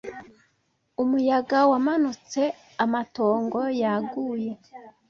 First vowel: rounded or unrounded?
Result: rounded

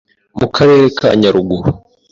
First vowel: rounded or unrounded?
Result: rounded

